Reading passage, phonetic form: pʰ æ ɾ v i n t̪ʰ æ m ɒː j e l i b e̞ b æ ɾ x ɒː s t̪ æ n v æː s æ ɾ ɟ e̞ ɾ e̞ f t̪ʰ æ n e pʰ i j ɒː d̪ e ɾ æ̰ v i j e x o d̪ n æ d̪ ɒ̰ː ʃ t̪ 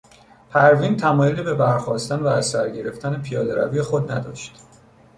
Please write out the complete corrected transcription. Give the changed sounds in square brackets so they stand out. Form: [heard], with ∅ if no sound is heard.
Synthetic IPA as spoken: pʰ æ ɾ v i n t̪ʰ æ m ɒː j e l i b e̞ b æ ɾ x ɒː s t̪ æ n v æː s æ ɾ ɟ e̞ ɾ e̞ f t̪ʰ æ n e pʰ i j ɒː d̪ e ɾ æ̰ v i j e x o d̪ n æ d̪ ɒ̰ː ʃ t̪